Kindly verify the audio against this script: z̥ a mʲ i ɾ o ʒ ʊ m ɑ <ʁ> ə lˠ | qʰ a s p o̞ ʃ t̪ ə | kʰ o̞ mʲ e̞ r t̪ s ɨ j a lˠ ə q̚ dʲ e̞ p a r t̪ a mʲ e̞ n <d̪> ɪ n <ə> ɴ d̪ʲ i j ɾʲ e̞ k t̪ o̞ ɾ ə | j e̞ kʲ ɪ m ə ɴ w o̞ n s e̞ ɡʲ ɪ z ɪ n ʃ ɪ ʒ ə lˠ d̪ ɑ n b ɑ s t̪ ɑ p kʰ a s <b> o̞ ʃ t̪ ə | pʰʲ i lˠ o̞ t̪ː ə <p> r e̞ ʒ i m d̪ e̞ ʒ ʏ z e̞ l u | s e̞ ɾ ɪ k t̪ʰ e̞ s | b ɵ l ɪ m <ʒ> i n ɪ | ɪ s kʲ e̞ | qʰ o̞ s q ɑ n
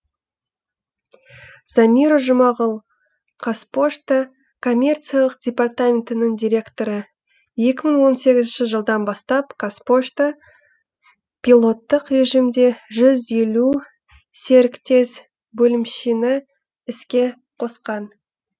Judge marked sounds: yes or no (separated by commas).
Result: yes, no, yes, no, no, no